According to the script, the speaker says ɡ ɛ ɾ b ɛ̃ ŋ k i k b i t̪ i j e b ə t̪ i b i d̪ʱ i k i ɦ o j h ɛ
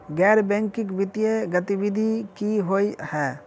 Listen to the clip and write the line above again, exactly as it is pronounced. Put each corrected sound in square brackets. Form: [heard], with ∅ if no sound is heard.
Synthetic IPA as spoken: ɡ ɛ ɾ b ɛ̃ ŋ k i k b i t̪ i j e [ɡ] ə t̪ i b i d̪ʱ i k i ɦ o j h ɛ